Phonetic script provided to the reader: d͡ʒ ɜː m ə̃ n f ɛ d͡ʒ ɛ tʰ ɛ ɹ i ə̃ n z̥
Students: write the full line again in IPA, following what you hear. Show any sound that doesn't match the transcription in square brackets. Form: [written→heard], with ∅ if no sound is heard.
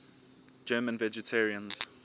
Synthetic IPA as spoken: d͡ʒ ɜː m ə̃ n [f→v] ɛ d͡ʒ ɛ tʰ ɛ ɹ i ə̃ n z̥